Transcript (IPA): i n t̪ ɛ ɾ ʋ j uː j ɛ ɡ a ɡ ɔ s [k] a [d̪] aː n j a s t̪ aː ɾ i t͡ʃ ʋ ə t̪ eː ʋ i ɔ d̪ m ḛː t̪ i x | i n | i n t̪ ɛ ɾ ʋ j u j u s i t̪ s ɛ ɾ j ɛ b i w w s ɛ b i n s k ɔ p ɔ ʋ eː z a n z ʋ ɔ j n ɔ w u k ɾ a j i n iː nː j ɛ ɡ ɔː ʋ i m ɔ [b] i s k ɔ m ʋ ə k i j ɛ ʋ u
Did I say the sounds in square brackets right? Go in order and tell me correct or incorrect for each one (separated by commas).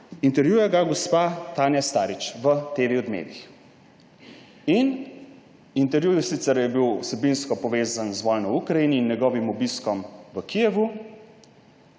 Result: incorrect, incorrect, correct